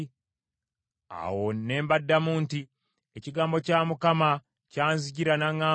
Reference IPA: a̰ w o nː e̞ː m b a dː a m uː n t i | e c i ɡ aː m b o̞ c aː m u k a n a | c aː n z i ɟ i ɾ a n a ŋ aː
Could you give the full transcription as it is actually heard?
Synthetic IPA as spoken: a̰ w o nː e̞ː m b a dː a m uː n t i | e c i ɡ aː m b o̞ c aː m u k a m a | c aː n z i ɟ i ɾ a n a ŋ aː

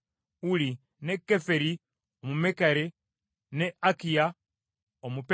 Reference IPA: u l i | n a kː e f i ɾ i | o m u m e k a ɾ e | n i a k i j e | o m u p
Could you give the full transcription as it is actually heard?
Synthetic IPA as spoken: u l i | n e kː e f e ɾ i | o m u m e k a ɾ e | n e a k i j a | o m u p

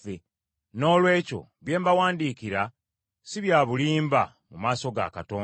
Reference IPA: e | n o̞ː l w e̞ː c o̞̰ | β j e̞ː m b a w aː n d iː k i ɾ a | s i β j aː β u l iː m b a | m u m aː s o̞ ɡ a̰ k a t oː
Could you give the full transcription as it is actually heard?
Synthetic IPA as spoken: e | n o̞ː l w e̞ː c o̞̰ | β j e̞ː m b a w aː n d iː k i ɾ a | s i β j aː β u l iː m b a | m u m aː s o̞ ɡ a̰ k a t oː

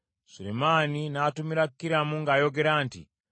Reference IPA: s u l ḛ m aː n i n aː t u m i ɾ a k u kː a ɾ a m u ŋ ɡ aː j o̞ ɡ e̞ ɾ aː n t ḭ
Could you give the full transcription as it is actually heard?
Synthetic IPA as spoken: s u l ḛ m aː n i n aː t u m i ɾ a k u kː i ɾ a m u ŋ ɡ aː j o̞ ɡ e̞ ɾ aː n t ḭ

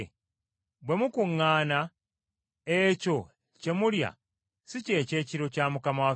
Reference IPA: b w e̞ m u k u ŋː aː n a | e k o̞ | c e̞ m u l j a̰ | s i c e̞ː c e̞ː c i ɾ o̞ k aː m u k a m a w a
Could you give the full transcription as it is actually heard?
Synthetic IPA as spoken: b w e̞ m u k u ŋː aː n a | e c o̞ | c e̞ m u l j a̰ | s i c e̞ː c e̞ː c i ɾ o̞ c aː m u k a m a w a

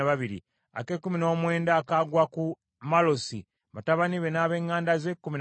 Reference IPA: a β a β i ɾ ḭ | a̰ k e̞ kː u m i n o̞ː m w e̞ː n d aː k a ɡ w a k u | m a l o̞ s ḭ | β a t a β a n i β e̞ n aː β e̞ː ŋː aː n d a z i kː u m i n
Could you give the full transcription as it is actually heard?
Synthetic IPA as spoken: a β a β i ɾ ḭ | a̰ k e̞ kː u m i n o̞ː m w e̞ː n d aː k a ɡ w a k u | m a l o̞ s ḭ | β a t a β a n i β e̞ n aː β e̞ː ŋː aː n d a z e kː u m i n

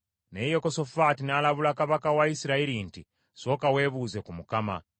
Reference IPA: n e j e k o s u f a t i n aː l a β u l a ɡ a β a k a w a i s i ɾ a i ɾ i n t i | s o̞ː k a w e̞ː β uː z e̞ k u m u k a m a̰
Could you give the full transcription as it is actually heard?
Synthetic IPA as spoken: n e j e k o s o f a t i n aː l a β u l a k a β a k a w a i s i ɾ a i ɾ i n t i | s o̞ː k a w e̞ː β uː z e̞ k u m u k a m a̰

